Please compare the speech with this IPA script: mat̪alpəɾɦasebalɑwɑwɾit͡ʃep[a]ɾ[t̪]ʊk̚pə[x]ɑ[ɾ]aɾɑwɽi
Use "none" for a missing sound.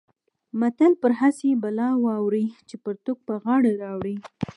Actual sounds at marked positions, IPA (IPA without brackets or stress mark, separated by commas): ə, t̪, ɣ, ɽ